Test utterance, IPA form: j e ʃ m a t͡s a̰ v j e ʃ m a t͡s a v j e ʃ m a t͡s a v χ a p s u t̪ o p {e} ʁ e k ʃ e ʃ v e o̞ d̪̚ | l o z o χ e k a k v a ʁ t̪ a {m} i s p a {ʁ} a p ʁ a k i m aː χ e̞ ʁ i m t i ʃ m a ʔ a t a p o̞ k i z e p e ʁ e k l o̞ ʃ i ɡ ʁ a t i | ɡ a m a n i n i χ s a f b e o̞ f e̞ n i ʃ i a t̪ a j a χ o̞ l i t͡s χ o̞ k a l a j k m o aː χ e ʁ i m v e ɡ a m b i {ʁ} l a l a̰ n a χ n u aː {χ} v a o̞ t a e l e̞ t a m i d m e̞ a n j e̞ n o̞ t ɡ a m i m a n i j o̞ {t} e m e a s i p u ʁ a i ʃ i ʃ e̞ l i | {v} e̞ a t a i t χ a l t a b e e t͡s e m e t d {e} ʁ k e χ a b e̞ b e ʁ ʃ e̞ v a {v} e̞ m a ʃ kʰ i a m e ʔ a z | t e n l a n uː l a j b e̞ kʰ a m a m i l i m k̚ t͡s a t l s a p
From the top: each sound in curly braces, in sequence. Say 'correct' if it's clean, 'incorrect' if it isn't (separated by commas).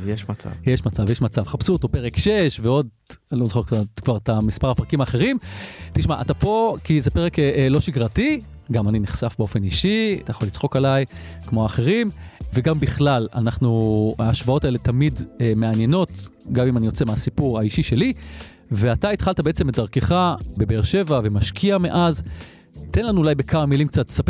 correct, correct, correct, incorrect, incorrect, incorrect, correct, incorrect, correct